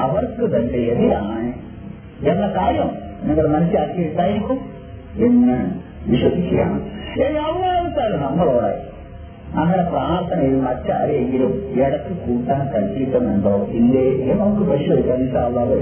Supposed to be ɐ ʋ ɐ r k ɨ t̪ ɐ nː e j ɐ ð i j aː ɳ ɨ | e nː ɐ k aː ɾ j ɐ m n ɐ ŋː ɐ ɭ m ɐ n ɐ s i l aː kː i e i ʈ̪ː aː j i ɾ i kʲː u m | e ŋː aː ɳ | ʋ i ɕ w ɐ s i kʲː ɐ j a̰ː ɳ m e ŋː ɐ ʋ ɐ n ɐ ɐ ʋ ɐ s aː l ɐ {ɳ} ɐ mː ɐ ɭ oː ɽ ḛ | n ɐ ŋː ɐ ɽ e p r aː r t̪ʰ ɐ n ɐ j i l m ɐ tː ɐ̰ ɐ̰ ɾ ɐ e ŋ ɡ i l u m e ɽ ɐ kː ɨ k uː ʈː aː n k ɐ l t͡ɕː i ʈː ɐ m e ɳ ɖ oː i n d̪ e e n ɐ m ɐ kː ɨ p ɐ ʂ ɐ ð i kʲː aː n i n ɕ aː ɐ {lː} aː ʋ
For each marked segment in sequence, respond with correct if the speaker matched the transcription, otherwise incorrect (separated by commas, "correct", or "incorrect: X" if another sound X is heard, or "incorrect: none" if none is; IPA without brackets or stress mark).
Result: incorrect: n, correct